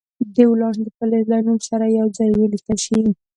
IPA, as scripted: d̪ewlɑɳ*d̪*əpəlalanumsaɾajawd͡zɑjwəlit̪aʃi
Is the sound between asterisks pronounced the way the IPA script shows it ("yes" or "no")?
yes